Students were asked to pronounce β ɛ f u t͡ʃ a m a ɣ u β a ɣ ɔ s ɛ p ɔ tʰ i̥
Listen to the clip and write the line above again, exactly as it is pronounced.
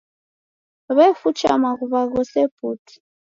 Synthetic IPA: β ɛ f u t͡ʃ a m a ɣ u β a ɣ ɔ s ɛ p u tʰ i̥